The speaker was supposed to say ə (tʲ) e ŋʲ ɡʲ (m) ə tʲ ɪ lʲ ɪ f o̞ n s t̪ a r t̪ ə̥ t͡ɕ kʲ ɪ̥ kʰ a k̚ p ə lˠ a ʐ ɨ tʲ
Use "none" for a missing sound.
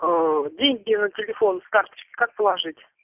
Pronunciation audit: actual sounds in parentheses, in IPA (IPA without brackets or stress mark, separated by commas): dʲ, n